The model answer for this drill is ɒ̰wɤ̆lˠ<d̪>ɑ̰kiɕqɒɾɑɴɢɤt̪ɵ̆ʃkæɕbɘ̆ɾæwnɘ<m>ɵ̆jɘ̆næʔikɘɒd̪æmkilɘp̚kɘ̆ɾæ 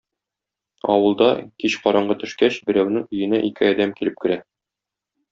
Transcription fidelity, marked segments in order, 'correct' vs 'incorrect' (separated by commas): correct, incorrect